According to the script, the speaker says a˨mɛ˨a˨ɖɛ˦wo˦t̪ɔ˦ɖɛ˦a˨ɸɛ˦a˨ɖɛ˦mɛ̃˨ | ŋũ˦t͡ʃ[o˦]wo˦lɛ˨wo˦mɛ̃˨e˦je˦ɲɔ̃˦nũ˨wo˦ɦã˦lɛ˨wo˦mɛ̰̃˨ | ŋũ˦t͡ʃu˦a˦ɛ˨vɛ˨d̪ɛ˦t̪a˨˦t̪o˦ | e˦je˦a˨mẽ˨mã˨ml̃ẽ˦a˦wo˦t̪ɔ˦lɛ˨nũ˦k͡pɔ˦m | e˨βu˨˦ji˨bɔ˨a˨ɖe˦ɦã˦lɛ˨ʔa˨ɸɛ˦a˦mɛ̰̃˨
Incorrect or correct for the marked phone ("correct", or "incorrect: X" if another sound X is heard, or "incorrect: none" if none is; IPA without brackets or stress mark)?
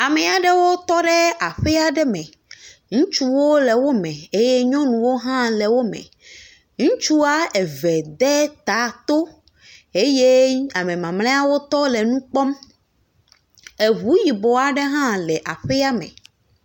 incorrect: u˦